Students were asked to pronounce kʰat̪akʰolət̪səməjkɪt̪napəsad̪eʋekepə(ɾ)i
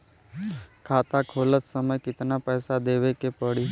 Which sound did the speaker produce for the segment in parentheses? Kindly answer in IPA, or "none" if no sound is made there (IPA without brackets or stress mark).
ɽ